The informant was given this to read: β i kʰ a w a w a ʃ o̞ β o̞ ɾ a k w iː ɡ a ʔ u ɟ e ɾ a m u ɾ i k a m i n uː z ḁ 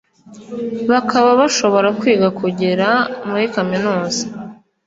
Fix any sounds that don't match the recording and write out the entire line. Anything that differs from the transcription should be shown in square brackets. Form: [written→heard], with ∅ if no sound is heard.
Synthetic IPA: β [i→a] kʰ a [w→β] a [w→β] a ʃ o̞ β o̞ ɾ a k w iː ɡ a [ʔ→k] u ɟ e ɾ a m u ɾ i k a m i n uː z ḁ